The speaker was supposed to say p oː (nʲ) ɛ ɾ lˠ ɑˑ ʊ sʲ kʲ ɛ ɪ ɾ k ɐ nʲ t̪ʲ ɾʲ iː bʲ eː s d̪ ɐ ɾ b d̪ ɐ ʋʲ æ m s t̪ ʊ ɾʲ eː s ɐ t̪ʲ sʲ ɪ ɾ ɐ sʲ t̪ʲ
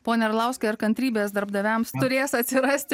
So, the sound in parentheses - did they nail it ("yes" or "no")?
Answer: yes